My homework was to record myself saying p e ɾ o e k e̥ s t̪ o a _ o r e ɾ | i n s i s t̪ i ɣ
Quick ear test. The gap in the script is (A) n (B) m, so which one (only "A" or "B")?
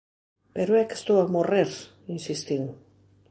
B